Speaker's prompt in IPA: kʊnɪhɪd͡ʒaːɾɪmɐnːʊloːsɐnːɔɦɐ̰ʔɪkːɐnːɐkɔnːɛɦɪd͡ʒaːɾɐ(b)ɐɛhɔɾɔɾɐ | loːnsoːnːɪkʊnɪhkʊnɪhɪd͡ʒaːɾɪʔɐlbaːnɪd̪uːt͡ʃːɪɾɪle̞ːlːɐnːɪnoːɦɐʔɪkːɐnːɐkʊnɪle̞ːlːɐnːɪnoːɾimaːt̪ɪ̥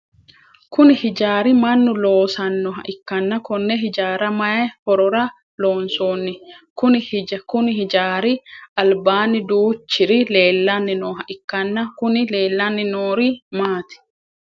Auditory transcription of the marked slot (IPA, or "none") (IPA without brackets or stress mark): m